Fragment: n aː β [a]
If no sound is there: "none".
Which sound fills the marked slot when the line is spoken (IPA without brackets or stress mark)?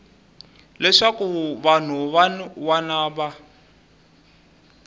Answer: a